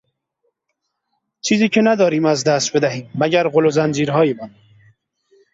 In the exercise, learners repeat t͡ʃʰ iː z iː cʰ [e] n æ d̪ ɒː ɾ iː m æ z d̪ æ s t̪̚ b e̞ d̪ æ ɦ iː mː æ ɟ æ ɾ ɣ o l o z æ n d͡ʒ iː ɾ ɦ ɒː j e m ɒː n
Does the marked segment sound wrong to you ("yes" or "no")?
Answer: no